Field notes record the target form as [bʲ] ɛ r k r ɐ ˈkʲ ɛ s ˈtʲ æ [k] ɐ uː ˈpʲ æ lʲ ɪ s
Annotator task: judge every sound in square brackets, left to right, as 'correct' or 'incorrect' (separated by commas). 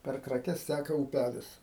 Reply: incorrect, correct